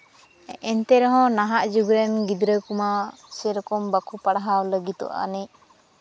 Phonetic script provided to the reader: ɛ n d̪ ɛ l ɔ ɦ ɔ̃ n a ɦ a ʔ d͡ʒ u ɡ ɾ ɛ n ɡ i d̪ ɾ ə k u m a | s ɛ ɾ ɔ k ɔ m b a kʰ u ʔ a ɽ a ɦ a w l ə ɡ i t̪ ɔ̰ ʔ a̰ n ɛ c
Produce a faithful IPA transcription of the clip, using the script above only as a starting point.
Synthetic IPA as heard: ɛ n t̪ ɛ ɾ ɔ ɦ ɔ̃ n a ɦ a ʔ d͡ʒ u ɡ ɾ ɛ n ɡ i d̪ ɾ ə k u m a | s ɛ ɾ ɔ k ɔ m b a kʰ u p a ɽ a ɦ a w l ə ɡ i t̪ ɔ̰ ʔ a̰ n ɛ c